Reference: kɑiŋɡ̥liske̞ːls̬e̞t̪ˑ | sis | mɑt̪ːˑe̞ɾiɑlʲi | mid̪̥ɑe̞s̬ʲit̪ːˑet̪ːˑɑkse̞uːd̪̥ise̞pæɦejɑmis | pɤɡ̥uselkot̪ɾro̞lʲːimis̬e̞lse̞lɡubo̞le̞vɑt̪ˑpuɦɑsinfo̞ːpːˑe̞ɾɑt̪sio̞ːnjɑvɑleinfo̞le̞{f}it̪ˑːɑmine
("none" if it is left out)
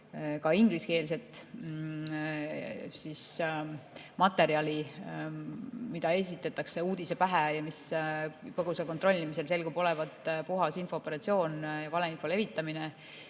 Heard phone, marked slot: v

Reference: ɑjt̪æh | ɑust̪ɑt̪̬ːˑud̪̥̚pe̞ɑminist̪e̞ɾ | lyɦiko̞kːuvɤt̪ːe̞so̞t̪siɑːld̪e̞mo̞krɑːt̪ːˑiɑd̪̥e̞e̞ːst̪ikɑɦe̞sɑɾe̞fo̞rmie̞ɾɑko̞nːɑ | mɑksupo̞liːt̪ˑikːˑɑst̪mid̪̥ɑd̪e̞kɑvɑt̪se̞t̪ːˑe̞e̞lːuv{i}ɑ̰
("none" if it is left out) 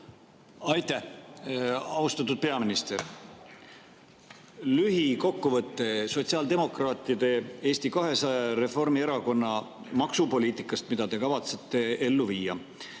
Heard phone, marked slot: iː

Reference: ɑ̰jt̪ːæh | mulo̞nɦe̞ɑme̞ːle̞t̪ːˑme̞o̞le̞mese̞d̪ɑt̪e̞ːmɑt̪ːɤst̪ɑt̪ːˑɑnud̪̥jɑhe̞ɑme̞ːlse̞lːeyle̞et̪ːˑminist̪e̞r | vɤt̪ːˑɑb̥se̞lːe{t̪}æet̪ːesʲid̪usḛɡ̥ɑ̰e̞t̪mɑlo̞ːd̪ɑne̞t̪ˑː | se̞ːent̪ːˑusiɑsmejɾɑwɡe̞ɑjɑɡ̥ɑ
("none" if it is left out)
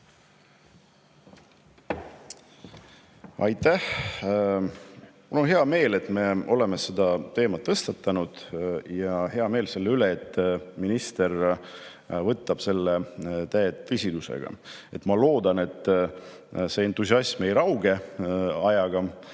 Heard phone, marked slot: t̪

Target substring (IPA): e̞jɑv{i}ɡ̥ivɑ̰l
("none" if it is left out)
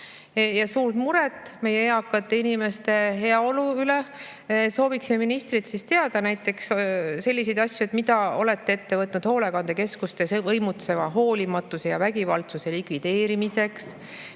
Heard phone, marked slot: æ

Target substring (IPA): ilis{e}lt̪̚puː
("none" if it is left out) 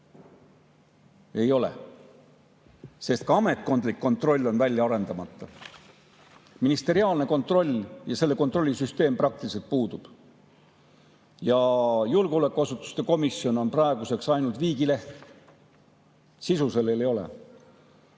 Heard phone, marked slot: e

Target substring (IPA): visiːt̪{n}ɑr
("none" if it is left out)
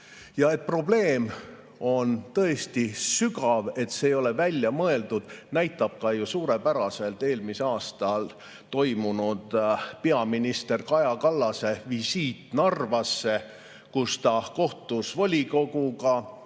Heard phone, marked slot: n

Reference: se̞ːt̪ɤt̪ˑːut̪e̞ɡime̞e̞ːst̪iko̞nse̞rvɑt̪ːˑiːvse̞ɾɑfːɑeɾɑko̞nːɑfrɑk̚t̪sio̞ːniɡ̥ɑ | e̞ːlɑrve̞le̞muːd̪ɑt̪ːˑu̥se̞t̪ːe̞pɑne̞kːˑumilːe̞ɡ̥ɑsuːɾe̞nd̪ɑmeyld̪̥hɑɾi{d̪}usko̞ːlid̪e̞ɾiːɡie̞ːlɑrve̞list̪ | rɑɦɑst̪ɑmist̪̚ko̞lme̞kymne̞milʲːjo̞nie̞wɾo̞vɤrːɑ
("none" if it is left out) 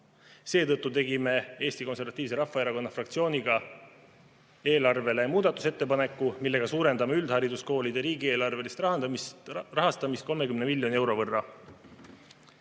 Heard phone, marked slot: d̪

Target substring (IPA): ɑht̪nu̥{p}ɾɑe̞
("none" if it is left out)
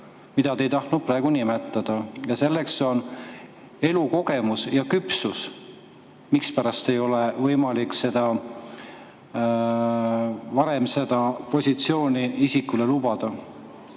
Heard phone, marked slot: p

